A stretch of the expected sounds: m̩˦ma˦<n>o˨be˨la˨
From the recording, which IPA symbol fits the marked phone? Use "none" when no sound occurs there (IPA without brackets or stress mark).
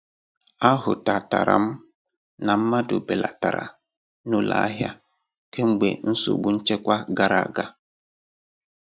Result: d